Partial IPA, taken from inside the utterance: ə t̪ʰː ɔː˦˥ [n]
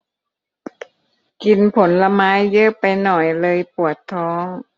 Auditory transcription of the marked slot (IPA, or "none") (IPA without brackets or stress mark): ŋ